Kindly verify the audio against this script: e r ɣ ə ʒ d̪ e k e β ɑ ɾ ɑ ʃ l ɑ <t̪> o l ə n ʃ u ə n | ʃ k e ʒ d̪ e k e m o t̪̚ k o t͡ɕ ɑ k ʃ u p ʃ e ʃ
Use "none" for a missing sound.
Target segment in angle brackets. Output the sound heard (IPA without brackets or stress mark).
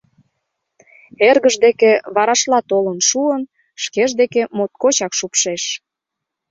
t̪